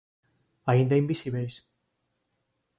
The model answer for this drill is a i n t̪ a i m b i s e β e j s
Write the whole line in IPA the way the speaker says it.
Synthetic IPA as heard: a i n d̪ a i m b i s i β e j s